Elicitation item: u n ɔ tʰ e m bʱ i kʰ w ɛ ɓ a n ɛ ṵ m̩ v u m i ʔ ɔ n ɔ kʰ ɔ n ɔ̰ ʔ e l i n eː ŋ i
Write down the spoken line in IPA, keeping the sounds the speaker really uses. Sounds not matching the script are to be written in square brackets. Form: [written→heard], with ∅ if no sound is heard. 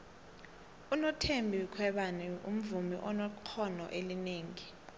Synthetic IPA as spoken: u n ɔ tʰ e m bʱ i kʰ w ɛ ɓ a n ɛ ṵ m̩ v u m i ʔ ɔ n ɔ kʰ ɔ n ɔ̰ ʔ e l i n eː ŋ i